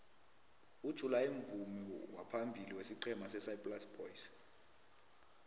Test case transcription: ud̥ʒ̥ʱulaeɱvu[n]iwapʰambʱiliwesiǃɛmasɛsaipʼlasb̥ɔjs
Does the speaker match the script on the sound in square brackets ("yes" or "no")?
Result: no